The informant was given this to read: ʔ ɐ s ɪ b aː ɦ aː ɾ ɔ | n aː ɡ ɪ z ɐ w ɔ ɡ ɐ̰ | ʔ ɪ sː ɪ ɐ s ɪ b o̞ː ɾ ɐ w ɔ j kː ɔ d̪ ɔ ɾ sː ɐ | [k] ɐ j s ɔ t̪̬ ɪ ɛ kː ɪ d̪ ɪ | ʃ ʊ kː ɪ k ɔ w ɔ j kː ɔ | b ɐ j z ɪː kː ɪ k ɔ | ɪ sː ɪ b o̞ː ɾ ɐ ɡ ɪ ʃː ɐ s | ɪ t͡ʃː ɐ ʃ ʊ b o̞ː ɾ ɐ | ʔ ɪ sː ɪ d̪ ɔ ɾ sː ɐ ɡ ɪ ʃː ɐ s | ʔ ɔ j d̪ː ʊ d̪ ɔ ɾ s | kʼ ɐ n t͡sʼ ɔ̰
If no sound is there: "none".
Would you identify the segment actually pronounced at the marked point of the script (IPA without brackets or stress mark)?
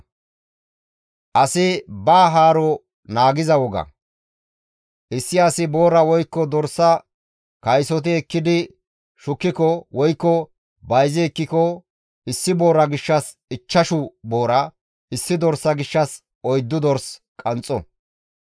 k